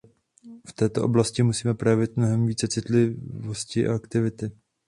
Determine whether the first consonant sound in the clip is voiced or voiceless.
voiceless